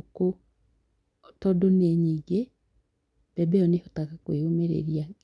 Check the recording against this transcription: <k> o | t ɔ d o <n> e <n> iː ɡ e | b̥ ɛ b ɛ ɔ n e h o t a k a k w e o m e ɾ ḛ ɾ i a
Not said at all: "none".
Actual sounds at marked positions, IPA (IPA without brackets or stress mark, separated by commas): k, n, ɲ